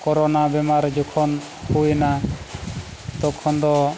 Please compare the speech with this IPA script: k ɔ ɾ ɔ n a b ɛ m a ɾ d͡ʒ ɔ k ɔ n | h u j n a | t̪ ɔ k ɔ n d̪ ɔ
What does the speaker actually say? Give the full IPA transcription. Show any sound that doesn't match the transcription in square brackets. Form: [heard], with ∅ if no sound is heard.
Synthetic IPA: k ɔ ɾ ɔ n a b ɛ m a ɾ d͡ʒ ɔ [kʰ] ɔ n | h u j n a | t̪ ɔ [kʰ] ɔ n d̪ ɔ